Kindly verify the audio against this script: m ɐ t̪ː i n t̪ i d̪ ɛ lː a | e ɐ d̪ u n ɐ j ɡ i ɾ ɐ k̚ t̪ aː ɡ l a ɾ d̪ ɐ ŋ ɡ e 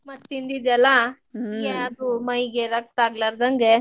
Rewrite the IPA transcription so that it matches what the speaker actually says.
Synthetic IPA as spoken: m ɐ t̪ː i n d̪ i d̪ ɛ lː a | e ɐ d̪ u m ɐ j ɡ e ɾ ɐ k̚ t̪ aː ɡ l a ɾ d̪ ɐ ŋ ɡ e